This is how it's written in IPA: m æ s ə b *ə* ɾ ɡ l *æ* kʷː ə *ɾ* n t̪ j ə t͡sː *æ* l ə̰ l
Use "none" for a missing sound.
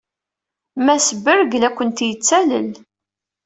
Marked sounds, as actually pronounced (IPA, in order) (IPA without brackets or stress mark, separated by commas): ə, æ, none, æ